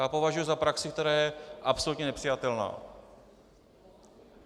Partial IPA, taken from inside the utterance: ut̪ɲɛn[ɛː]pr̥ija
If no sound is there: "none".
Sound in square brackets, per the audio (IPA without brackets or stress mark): ɛ